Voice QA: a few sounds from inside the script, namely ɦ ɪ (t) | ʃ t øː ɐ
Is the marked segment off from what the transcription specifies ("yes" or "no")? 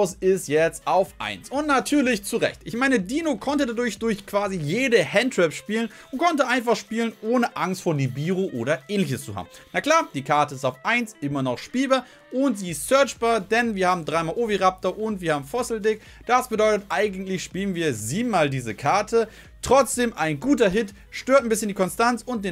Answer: no